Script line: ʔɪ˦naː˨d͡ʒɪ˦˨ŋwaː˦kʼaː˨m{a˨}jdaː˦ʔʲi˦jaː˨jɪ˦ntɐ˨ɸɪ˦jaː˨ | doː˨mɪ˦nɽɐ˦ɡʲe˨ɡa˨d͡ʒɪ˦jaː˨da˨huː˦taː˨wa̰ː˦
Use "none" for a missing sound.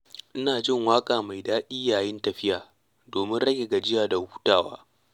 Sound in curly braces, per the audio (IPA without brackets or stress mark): a˨